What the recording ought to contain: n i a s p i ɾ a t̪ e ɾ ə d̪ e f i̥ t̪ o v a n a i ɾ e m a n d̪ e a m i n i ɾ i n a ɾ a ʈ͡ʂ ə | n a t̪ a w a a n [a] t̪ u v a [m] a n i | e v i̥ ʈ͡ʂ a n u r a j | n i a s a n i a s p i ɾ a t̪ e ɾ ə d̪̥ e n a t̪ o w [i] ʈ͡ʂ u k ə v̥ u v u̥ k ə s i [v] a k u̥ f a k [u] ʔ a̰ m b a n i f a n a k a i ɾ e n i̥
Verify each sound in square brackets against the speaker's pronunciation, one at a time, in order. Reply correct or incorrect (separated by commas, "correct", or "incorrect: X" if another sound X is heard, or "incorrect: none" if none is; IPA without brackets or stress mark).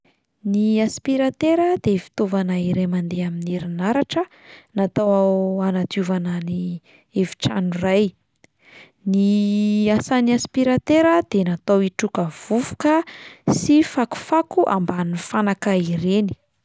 correct, incorrect: n, correct, incorrect: f, correct